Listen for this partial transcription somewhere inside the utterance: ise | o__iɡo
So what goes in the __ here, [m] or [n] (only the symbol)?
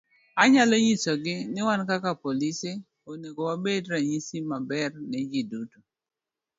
n